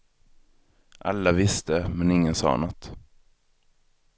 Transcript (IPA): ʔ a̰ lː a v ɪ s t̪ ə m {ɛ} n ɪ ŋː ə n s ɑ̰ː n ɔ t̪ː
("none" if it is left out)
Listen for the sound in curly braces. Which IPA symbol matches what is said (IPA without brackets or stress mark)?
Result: ɛ